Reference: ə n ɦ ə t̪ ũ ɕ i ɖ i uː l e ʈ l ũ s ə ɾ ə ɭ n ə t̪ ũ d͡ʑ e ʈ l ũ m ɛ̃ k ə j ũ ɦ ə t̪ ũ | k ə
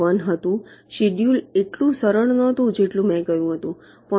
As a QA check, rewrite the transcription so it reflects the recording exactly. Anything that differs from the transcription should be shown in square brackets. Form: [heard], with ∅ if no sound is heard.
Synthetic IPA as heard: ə n ɦ ə t̪ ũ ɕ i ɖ [j] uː l e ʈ l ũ s ə ɾ ə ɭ n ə t̪ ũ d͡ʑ e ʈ l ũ m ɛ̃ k ə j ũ ɦ ə t̪ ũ | [p] ə